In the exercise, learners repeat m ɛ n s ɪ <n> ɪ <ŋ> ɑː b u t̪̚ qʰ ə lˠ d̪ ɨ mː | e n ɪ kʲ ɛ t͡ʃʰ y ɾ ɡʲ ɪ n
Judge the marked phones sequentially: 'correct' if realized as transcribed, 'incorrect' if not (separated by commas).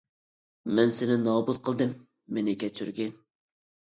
correct, incorrect